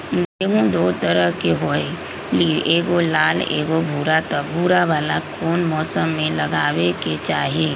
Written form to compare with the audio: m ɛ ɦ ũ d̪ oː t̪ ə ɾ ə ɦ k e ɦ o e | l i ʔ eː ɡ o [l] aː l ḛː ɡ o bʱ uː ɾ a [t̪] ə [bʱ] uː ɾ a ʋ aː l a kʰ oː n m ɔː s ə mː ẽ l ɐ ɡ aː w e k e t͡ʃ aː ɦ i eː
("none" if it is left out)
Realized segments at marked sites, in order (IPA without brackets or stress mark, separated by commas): l, t̪, bʱ